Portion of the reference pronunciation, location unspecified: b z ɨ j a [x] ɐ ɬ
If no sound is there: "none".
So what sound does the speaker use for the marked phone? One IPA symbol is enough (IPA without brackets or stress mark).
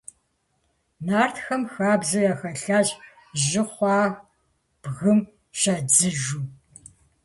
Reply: x